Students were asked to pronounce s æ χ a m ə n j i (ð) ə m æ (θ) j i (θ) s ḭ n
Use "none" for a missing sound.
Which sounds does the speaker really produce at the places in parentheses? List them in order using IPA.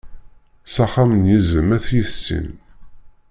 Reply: z, θ, θ

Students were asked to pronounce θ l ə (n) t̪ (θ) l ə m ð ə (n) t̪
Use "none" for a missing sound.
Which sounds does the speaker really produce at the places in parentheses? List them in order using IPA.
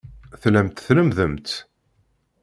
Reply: m, θ, m

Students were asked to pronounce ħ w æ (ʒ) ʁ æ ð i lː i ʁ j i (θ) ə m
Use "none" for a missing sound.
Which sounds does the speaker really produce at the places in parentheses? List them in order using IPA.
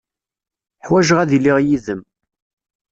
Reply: ʒ, ð

